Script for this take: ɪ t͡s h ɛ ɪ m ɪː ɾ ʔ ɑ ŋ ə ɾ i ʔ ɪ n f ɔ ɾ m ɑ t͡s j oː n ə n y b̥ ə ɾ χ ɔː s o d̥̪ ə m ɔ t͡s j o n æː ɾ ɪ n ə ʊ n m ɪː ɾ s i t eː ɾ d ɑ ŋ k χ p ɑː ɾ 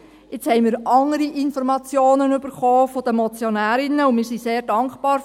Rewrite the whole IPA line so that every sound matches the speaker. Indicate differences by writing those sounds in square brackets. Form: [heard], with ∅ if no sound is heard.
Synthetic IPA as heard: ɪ t͡s h ɛ ɪ m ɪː ɾ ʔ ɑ ŋ ə ɾ i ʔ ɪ n f ɔ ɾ m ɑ t͡s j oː n ə n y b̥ ə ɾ χ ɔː [f] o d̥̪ ə m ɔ t͡s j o n æː ɾ ɪ n ə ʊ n m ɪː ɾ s i [s] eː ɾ d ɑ ŋ k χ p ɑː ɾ